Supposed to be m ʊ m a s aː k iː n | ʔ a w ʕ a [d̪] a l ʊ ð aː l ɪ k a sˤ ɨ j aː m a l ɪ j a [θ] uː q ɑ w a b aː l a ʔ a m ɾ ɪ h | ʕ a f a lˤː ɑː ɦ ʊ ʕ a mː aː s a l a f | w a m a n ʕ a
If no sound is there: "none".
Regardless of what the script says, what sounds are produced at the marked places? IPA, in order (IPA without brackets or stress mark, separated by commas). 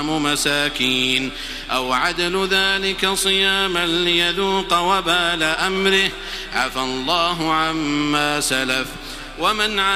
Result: d̪, ð